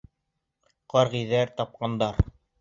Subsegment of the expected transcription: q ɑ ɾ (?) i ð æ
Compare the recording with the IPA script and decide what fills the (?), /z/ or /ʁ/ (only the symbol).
ʁ